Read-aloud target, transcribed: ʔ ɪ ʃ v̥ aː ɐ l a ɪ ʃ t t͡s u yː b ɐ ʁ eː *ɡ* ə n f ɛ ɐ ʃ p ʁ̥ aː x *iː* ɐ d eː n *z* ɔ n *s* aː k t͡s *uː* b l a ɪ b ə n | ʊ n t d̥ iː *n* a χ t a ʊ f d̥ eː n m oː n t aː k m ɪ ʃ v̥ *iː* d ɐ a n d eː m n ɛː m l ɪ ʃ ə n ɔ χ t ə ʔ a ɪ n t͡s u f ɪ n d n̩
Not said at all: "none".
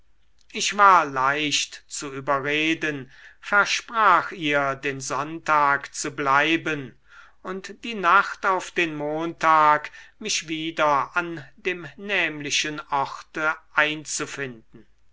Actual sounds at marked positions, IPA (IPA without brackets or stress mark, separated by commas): d, iː, z, t, u, n, iː